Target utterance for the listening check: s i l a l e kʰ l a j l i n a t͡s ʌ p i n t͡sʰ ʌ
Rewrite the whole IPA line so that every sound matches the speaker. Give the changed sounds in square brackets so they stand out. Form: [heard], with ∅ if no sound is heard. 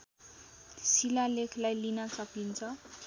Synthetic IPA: s i l a l e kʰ l a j l i n a t͡s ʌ p i n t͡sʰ ʌ